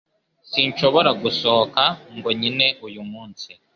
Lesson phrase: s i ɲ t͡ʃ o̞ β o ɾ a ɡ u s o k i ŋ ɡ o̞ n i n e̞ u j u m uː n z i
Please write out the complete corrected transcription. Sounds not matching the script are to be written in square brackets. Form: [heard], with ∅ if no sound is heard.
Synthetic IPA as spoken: s i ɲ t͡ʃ o̞ β o ɾ a ɡ u s o k [a] ŋ ɡ o̞ [ɲ] i n e̞ u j u m uː n [s] i